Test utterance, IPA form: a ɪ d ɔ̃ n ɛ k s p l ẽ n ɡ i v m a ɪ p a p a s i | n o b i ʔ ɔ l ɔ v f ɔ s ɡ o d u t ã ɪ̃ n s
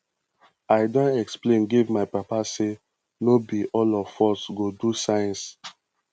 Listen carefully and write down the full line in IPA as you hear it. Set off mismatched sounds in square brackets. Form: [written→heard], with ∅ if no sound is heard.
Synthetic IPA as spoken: a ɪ d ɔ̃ n ɛ k s p l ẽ n ɡ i v m a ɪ p a p a s [i→e] | n o b i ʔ ɔ l ɔ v f ɔ s ɡ o d u [t→s] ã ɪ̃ n s